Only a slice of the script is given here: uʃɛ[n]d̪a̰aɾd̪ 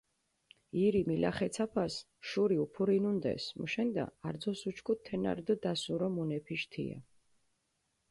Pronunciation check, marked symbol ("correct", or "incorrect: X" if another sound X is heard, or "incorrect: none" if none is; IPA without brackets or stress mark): correct